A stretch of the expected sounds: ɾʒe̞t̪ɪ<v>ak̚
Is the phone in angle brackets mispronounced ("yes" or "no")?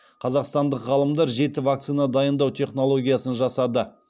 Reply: no